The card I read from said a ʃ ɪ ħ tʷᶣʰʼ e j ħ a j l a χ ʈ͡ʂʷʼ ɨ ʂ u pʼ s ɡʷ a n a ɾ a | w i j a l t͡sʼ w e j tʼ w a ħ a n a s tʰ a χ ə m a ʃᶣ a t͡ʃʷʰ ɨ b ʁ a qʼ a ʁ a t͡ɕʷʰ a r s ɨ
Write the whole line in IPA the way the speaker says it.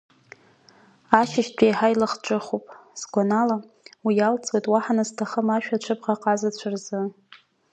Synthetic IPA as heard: a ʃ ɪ ʃ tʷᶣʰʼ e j ħ a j l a χ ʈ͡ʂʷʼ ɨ χ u pʼ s ɡʷ a n a l a | w i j a l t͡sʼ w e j tʼ w a ħ a n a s tʰ a χ ə m a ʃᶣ a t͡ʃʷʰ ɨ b ʁ a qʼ a z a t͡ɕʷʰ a r z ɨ